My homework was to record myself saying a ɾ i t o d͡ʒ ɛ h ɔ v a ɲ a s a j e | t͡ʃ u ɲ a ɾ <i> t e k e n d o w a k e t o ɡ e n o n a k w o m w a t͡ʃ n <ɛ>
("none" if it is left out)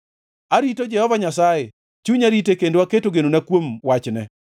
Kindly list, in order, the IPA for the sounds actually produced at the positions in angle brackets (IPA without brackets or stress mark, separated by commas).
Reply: i, ɛ